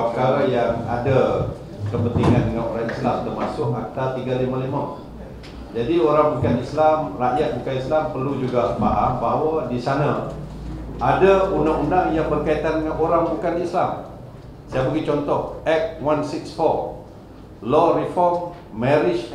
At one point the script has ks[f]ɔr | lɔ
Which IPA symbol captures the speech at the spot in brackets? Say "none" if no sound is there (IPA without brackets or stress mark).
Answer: f